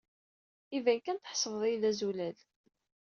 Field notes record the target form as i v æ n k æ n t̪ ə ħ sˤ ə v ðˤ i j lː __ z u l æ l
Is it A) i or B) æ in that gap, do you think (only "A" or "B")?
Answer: B